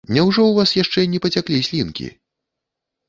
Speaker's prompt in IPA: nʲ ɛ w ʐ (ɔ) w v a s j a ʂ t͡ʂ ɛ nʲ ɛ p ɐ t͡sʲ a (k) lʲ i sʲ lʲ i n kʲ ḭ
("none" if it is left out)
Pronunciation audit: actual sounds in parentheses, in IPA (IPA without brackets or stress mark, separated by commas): ɔ, k